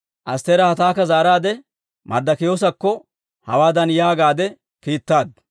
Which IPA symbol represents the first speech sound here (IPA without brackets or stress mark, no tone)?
ʔ